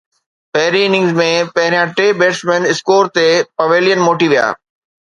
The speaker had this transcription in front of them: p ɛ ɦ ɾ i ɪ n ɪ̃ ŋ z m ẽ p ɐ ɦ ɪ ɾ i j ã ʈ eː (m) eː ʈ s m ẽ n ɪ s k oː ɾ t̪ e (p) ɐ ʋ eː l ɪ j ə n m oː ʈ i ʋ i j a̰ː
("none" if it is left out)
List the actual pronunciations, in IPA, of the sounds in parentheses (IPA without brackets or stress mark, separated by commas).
b, p